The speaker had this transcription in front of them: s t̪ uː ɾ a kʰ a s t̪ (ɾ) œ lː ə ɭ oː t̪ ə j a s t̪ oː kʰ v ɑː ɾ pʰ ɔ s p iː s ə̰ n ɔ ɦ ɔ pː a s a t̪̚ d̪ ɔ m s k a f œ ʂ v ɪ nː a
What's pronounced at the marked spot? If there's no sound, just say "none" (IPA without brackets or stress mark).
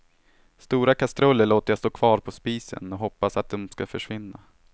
ɾ